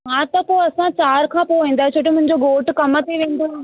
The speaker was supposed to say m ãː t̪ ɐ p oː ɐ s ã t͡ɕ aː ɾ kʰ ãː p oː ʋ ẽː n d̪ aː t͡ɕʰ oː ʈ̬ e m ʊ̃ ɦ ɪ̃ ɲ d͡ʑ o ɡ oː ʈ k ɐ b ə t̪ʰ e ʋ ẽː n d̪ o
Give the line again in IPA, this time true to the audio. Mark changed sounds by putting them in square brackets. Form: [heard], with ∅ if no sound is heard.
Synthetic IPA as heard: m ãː t̪ ɐ p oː ɐ s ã t͡ɕ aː ɾ kʰ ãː p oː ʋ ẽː n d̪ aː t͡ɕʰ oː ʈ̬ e m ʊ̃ ɦ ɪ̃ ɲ d͡ʑ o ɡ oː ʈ k ɐ [m] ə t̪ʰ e ʋ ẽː n d̪ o